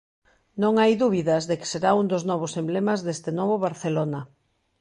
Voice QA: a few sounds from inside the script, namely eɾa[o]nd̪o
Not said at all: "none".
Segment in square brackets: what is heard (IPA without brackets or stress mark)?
u